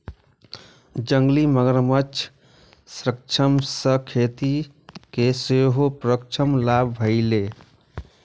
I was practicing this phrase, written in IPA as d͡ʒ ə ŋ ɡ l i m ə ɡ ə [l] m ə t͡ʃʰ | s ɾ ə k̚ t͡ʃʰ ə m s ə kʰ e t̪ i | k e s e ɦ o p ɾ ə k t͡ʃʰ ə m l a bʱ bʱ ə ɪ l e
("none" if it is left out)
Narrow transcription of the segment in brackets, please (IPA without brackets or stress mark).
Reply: ɾ